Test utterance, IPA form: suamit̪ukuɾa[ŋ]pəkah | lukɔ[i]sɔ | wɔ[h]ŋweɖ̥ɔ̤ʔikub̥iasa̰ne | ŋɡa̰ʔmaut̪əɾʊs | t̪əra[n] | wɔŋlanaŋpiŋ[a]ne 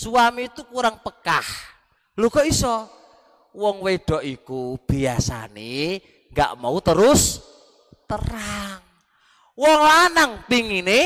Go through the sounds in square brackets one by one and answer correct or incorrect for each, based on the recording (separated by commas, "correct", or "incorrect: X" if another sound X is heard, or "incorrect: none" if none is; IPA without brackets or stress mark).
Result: correct, correct, incorrect: none, incorrect: ŋ, incorrect: i